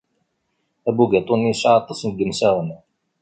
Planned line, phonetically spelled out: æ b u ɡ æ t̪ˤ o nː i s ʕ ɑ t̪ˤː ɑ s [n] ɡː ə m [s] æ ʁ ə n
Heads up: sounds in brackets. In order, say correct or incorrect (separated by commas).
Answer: correct, correct